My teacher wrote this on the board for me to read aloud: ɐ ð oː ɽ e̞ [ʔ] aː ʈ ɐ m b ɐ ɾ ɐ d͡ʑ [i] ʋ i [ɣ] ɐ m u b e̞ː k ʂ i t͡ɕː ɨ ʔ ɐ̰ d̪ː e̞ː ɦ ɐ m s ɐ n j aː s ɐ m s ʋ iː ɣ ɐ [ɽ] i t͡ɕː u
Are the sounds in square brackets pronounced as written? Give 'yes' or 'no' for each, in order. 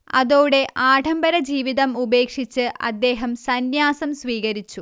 yes, no, no, no

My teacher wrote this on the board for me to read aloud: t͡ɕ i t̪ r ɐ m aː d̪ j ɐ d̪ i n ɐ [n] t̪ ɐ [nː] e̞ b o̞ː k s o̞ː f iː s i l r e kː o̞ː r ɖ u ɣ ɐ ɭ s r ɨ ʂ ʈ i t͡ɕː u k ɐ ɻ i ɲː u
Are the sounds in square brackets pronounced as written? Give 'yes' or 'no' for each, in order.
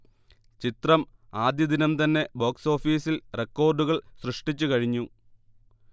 no, yes

